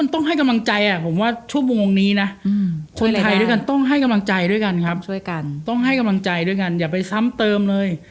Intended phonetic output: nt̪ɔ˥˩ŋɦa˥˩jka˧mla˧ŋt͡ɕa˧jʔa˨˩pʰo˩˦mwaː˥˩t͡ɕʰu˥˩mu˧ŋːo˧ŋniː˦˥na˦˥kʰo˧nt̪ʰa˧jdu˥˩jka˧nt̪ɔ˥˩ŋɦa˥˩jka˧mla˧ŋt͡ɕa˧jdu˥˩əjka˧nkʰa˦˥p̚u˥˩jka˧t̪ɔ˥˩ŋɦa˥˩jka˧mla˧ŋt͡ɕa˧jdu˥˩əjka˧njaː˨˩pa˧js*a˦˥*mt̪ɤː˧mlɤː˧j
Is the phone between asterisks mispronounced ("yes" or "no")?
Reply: no